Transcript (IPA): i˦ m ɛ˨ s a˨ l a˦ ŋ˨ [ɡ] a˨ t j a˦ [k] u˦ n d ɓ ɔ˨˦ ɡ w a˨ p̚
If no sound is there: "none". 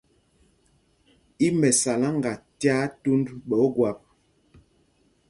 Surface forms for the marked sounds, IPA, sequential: ɡ, t

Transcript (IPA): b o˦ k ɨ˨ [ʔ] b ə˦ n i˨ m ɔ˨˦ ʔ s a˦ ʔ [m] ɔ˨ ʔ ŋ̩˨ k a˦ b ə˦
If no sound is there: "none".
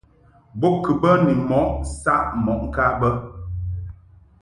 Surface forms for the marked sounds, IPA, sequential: none, m

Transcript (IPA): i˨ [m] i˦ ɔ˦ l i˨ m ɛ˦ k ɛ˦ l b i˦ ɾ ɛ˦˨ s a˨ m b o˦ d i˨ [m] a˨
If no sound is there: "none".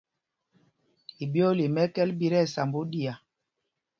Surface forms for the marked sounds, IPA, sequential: b, none

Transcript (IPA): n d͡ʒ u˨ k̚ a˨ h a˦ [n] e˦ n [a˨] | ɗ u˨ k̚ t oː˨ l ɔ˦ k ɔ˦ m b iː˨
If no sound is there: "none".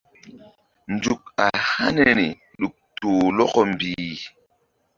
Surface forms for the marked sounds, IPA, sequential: n, i˨

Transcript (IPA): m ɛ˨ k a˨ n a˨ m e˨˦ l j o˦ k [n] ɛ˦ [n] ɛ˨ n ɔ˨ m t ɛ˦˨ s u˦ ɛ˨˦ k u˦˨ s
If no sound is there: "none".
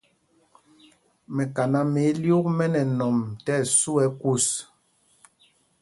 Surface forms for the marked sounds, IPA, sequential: m, n

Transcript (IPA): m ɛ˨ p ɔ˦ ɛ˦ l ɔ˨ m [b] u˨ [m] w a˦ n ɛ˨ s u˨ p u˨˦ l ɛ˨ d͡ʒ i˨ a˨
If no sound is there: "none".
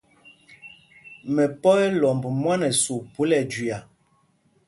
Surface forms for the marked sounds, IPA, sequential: b, m

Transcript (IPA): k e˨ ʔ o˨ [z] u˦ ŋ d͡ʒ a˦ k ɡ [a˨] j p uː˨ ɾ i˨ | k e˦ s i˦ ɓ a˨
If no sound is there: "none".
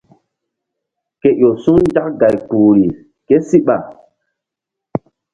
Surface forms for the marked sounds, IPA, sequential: s, a˨

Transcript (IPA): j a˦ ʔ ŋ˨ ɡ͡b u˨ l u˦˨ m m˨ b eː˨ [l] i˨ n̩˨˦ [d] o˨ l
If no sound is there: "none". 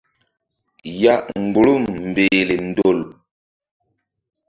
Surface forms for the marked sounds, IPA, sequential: l, d

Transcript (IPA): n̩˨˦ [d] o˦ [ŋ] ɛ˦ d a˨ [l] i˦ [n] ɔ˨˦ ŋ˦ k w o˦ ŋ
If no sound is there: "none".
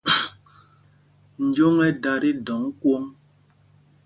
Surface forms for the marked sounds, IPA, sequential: d͡ʒ, ŋ, ɾ, d

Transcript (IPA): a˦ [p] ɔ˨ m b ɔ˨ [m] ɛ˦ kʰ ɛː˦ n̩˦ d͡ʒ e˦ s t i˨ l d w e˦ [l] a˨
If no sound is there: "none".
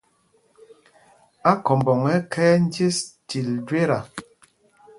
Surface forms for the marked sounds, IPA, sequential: k, ŋ, ɾ

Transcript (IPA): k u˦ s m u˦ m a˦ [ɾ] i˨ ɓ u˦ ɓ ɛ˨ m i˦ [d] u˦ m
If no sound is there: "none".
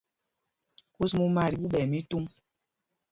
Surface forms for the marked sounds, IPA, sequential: ɾ, t

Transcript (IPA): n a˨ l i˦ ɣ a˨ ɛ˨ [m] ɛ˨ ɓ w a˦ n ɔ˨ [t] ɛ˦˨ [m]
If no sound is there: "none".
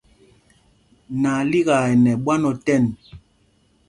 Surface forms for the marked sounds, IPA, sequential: n, t, n

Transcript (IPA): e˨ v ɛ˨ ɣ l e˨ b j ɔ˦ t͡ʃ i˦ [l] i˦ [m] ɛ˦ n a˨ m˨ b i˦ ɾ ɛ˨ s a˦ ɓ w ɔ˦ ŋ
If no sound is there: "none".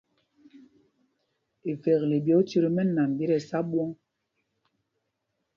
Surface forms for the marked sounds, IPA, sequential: ɾ, m

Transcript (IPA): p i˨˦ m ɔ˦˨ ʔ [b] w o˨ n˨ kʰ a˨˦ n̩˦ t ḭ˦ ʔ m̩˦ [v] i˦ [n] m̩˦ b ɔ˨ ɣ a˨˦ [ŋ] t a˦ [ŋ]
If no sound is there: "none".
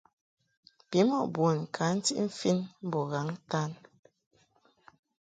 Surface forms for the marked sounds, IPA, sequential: b, f, n, ŋ, n

